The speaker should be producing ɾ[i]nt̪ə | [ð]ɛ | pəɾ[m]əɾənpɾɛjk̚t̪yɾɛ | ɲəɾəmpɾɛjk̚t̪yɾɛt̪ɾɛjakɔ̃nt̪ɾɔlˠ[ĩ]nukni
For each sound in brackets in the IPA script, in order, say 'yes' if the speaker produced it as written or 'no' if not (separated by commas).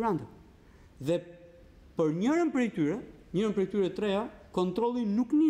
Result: no, yes, no, no